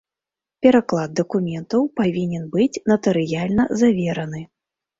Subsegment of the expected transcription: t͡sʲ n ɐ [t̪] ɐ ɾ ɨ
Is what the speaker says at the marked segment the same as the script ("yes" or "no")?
yes